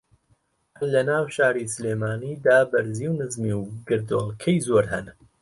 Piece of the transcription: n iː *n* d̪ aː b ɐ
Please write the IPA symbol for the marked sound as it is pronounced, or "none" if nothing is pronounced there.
none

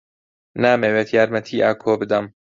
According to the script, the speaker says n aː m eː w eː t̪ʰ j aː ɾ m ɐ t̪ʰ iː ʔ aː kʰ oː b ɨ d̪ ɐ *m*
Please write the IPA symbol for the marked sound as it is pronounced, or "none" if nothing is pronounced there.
m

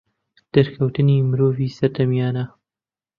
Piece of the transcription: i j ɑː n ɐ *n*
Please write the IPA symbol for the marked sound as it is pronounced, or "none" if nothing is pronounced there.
none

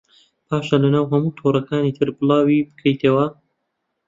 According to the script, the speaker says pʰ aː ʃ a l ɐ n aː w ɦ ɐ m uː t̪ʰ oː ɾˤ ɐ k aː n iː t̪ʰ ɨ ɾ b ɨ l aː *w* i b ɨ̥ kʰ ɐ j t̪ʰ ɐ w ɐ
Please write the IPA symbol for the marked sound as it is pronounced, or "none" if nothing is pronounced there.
w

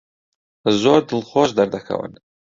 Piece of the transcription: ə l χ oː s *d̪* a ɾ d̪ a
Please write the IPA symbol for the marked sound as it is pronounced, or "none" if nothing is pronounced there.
d̪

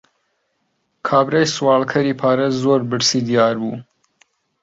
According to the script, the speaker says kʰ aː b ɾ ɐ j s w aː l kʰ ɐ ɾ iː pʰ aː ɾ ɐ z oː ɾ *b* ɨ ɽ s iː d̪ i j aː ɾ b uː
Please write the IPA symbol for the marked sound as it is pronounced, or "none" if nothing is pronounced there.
b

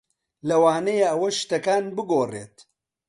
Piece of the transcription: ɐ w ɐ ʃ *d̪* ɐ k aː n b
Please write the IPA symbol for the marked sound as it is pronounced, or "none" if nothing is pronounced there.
t̪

